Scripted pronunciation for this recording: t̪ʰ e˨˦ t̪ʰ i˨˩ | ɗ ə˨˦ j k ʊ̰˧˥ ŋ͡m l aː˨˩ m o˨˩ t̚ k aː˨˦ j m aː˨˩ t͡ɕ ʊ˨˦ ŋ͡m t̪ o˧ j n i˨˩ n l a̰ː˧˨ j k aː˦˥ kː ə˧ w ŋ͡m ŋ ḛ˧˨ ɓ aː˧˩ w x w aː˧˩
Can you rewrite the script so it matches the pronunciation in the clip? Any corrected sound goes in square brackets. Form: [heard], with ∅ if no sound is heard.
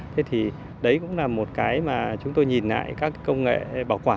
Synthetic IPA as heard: t̪ʰ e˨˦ t̪ʰ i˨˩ | ɗ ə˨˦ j k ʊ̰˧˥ ŋ͡m l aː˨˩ m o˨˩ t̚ k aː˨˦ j m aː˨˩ t͡ɕ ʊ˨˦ ŋ͡m t̪ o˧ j [ɲ] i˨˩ n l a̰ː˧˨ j k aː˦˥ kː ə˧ w ŋ͡m ŋ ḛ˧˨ ɓ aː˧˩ w [k] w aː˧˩